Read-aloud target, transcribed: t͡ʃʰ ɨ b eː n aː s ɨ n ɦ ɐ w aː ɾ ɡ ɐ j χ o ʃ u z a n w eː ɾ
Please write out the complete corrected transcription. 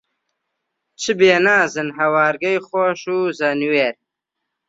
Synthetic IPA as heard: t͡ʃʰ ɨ b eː n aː z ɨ n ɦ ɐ w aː ɾ ɡ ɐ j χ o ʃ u z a n w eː ɾ

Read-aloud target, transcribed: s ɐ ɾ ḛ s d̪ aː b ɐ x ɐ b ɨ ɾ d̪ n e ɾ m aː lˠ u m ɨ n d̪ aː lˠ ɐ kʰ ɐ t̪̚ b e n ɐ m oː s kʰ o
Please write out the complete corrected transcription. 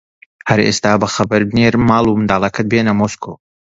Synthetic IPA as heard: h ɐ ɾ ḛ s t̪ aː b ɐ x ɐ b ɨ ɾ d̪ n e ɾ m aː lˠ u m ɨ n d̪ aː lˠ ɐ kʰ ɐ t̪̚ b e n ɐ m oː s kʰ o

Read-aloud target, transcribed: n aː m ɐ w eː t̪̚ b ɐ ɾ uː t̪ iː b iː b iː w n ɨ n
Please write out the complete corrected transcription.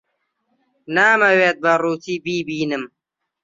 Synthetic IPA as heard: n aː m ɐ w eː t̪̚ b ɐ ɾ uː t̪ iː b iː b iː n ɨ m

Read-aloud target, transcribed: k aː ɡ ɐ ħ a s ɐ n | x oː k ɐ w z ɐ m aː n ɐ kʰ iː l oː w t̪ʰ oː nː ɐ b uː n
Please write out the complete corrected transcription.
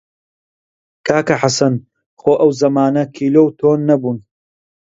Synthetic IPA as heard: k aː k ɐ ħ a s ɐ n | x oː ʔ ɐ w z ɐ m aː n ɐ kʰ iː l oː w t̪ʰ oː nː ɐ b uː n

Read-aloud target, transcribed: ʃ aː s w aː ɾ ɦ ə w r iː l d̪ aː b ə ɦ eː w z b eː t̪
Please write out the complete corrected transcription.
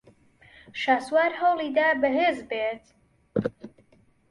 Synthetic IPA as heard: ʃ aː s w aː ɾ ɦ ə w l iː d̪ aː b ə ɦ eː z b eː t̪

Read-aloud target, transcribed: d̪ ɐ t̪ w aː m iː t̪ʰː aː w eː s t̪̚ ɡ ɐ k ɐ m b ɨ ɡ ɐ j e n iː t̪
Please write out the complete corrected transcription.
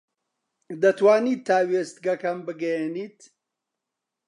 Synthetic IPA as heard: d̪ ɐ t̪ w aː n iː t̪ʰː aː w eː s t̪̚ ɡ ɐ k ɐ m b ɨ ɡ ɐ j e n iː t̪

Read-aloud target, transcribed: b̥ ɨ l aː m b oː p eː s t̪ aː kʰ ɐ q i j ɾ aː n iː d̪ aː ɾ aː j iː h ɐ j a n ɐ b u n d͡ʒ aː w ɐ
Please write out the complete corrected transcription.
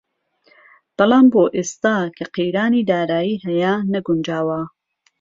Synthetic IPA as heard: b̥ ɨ l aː m b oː ʔ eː s t̪ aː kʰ ɐ q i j ɾ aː n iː d̪ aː ɾ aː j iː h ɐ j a n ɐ ɡ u n d͡ʒ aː w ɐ

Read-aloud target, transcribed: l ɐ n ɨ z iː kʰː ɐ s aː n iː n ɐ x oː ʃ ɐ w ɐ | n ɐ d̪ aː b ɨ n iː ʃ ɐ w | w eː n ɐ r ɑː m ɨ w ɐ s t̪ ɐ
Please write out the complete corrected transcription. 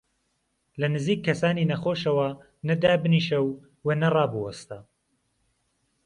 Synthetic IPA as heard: l ɐ n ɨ z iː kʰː ɐ s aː n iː n ɐ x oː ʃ ɐ w ɐ | n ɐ d̪ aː b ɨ n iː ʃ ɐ w | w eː n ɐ r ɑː b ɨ w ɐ s t̪ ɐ

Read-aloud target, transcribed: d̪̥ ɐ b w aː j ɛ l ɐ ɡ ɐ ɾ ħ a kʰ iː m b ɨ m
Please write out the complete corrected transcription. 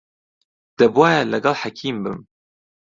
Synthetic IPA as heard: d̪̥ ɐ b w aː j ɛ l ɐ ɡ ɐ l ħ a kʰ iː m b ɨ m

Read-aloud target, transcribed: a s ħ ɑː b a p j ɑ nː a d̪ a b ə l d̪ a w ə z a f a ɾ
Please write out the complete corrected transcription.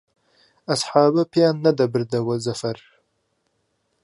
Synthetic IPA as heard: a s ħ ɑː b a p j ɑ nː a d̪ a b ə ɾ d̪ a w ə z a f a ɾ

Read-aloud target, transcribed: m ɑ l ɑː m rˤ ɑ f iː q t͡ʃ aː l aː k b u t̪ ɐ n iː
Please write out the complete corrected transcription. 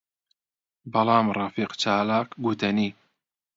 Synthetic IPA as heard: b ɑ l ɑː m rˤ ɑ f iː q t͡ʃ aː l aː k ɡ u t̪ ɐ n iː

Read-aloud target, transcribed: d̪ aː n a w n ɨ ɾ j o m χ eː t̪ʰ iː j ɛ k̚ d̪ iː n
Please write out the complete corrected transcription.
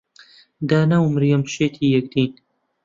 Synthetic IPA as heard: d̪ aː n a w m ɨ ɾ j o m ʃ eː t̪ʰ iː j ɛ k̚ d̪ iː n

